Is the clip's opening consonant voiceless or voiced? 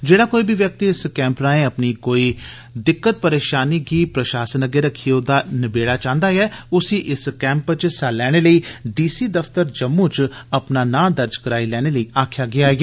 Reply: voiced